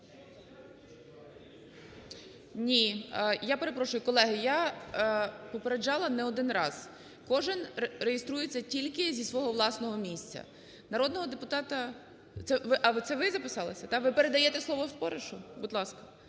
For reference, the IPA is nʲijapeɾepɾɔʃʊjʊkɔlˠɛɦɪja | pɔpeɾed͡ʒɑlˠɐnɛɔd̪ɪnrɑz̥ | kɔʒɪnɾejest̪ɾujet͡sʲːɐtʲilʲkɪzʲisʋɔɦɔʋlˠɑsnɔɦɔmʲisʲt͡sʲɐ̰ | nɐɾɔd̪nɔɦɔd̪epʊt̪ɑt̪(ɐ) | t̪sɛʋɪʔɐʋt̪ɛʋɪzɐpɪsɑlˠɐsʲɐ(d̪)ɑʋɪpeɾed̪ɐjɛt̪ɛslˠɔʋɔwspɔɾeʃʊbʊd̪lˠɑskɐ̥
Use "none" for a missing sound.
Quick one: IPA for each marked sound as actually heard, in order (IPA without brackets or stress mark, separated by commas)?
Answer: ɐ, t̪